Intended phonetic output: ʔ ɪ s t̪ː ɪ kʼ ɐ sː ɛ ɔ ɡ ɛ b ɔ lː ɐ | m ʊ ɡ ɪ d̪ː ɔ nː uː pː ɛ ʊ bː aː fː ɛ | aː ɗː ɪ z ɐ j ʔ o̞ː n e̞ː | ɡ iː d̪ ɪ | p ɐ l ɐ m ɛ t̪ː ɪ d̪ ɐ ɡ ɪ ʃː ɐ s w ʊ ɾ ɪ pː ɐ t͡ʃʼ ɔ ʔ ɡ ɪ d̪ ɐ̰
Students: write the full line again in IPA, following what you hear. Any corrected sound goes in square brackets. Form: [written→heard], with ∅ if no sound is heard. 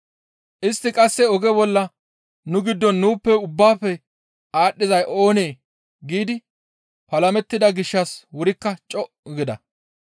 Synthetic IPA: ʔ ɪ s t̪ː ɪ kʼ ɐ sː ɛ ɔ ɡ ɛ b ɔ lː ɐ | [m→n] ʊ ɡ ɪ d̪ː ɔ nː uː pː ɛ ʊ bː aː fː ɛ | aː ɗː ɪ z ɐ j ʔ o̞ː n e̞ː | ɡ iː d̪ ɪ | p ɐ l ɐ m ɛ t̪ː ɪ d̪ ɐ ɡ ɪ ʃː ɐ s w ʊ ɾ ɪ [pː→kː] ɐ t͡ʃʼ ɔ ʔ ɡ ɪ d̪ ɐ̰